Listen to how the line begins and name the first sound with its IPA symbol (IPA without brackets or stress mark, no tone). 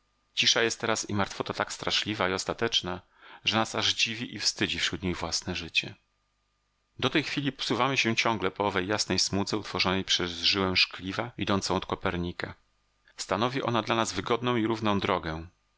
t͡ɕ